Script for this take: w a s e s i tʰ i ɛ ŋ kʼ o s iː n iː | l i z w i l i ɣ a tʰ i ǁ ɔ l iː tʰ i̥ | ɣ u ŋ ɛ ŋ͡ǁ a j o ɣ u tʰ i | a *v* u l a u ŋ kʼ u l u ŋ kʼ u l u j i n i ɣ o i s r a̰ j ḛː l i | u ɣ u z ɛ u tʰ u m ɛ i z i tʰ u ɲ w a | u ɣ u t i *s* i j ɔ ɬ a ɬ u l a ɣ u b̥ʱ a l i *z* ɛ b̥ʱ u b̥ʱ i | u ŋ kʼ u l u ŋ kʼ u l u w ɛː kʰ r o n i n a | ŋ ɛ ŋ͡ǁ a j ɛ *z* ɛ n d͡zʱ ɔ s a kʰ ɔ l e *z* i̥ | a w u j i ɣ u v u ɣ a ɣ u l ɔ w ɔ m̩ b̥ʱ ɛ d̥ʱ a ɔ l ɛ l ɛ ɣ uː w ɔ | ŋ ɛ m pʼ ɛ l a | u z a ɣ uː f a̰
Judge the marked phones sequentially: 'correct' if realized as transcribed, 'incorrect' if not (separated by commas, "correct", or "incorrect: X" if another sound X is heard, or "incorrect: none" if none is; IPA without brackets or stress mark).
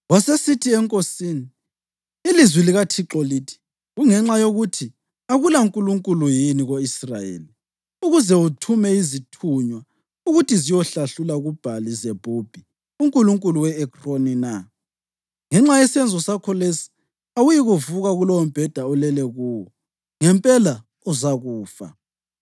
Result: incorrect: ɣ, incorrect: z, correct, incorrect: s, incorrect: s